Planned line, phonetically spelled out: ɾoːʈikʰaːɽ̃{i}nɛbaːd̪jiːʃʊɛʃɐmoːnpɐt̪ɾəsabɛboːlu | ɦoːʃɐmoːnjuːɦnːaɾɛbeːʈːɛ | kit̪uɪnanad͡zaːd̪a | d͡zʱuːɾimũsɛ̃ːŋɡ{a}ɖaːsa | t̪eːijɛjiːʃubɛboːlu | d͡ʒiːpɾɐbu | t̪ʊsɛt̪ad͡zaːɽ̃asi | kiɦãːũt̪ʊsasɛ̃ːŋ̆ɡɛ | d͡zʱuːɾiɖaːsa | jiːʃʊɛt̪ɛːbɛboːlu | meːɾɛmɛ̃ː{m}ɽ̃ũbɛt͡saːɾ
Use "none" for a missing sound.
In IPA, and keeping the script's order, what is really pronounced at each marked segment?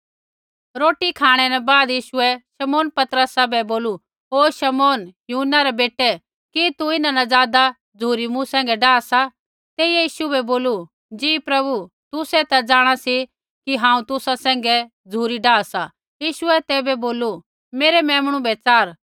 ɛ, ɛ, m

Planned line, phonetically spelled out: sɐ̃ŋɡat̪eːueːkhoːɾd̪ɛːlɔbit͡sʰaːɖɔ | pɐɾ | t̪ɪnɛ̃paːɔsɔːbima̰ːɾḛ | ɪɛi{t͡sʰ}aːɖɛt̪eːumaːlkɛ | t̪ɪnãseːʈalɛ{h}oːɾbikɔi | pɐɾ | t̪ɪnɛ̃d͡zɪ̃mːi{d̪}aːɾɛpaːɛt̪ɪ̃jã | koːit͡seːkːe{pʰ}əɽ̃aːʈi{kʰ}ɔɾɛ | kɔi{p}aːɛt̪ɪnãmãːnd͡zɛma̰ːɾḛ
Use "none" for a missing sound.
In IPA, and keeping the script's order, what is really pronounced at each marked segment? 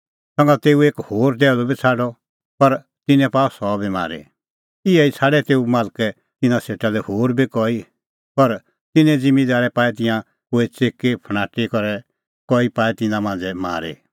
t͡sʰ, h, d̪, pʰ, k, p

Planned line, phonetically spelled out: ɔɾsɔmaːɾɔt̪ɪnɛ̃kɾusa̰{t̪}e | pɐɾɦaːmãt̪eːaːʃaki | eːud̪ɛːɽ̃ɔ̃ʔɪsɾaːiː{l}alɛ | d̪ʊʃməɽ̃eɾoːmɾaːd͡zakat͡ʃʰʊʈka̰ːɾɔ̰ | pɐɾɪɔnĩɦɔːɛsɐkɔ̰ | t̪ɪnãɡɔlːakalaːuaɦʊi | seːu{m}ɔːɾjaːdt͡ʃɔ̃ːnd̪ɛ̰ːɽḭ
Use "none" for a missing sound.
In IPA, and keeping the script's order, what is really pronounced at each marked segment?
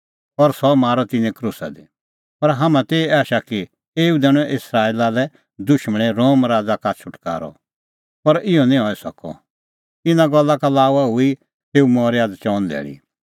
d̪, l, m

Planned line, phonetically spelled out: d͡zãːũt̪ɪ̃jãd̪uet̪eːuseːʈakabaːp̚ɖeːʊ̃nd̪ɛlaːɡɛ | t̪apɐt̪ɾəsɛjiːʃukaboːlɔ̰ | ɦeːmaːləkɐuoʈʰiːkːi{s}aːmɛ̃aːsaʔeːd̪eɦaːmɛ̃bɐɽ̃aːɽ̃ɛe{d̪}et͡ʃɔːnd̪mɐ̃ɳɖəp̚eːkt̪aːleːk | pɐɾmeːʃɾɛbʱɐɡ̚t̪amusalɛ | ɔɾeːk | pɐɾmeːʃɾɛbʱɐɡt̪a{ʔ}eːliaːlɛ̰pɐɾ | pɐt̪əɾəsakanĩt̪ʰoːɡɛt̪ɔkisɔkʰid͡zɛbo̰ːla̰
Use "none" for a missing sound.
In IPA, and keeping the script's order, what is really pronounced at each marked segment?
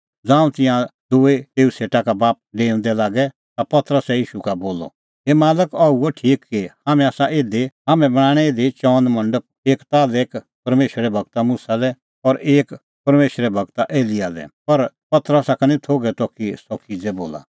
h, d̪, ʔ

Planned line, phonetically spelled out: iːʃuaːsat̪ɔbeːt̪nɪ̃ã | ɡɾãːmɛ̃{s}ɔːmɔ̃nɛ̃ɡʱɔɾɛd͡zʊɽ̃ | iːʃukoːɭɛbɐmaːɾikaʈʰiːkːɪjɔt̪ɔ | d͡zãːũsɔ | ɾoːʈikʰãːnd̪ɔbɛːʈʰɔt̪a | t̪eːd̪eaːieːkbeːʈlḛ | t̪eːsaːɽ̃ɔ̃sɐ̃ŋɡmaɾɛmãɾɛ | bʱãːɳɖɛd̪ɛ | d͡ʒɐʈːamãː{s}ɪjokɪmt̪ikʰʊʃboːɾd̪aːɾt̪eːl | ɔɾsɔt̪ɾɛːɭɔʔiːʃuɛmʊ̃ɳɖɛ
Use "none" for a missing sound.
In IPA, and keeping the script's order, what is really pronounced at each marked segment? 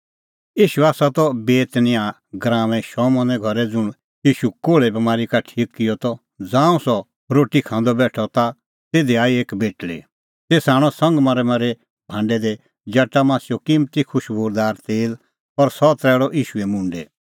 ʃ, s

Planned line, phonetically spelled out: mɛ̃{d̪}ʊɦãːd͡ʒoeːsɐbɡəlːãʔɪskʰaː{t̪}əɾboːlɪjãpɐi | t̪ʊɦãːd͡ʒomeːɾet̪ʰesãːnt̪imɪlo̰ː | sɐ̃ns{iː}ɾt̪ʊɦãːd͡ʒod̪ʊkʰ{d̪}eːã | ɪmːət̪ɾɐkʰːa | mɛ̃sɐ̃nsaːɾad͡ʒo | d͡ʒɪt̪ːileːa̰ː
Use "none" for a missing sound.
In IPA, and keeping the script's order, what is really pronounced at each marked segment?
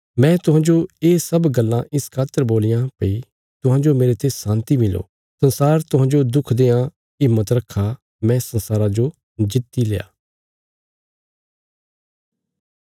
t̪, t̪, aː, d̪

